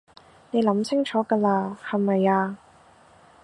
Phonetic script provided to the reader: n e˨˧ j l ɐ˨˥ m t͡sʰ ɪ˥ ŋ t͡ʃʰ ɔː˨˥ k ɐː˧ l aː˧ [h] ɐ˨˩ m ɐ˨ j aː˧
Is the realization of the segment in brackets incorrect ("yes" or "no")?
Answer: no